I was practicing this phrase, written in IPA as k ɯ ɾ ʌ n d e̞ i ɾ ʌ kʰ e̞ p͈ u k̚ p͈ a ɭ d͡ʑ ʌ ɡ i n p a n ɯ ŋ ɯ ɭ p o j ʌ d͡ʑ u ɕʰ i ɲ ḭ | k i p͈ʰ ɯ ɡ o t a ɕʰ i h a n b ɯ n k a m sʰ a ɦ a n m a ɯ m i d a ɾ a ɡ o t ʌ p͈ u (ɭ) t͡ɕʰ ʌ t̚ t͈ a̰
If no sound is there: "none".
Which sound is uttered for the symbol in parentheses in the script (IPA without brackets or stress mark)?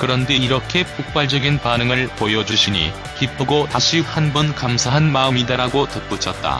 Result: none